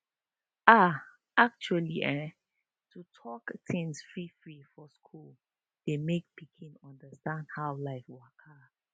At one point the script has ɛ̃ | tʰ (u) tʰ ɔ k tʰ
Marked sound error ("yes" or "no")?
no